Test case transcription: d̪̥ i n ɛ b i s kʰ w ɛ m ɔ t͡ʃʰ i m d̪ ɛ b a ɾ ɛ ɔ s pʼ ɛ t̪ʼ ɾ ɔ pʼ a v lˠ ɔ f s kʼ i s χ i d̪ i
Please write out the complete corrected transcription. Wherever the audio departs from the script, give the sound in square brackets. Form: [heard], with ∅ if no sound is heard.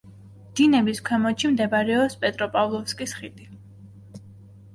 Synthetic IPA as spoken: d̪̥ i n ɛ b i s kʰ w ɛ m ɔ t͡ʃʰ i m d̪ ɛ b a ɾ ɛ ɔ s pʼ ɛ t̪ʼ ɾ ɔ pʼ a v lˠ ɔ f s kʼ i s χ i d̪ i